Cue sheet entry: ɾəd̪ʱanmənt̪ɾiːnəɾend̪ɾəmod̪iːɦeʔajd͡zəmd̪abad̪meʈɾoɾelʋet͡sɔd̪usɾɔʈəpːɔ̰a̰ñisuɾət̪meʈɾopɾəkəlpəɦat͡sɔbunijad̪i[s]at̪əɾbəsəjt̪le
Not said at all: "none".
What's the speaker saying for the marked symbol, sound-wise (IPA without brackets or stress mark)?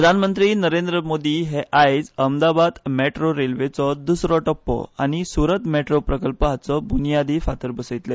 f